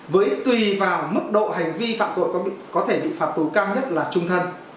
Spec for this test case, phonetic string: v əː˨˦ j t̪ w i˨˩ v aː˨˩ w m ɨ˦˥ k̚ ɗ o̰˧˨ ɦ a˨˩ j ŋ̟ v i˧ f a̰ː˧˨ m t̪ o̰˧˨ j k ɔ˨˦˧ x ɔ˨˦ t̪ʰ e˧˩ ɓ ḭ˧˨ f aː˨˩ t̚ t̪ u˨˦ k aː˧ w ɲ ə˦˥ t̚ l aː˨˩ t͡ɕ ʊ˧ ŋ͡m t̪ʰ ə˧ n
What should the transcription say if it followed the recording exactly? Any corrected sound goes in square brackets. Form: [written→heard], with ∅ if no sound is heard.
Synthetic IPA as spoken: v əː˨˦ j t̪ w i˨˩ v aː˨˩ w m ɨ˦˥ k̚ ɗ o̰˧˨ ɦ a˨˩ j ŋ̟ v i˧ f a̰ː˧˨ m t̪ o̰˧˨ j k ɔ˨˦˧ [x→k] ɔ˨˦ t̪ʰ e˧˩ ɓ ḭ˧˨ f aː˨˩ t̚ t̪ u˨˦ k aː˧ w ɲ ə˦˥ t̚ l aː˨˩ t͡ɕ ʊ˧ ŋ͡m t̪ʰ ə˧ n